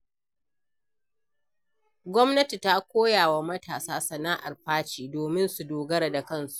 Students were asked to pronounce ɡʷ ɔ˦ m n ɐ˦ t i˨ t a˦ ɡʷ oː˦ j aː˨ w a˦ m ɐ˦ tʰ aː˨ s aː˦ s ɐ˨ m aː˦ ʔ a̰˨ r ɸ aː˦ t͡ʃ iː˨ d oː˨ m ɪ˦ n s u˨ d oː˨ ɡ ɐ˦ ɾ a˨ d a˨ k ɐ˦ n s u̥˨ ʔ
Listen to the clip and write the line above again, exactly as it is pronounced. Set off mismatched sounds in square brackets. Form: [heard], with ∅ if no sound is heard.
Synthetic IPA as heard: ɡʷ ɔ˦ m n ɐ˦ t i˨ t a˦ [kʷ] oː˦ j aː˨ w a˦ m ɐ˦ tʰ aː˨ s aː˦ s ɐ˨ [n] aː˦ ʔ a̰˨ r ɸ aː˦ t͡ʃ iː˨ d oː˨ m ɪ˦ n s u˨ d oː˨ ɡ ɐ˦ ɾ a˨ d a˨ k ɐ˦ n s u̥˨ ʔ